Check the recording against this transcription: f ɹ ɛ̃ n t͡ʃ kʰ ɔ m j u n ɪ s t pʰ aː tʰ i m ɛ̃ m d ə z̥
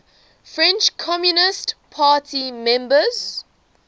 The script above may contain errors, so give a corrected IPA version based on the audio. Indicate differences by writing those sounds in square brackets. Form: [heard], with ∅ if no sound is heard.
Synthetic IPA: f ɹ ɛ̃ n t͡ʃ kʰ ɔ m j u n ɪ s t pʰ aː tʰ i m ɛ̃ m [b] ə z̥